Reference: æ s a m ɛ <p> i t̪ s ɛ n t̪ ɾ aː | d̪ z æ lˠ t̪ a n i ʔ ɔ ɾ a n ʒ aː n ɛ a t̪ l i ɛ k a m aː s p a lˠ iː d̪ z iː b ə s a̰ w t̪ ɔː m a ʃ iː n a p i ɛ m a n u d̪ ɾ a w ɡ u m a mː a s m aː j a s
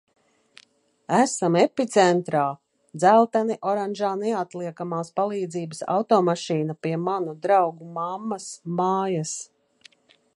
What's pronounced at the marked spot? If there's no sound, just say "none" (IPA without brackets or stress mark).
p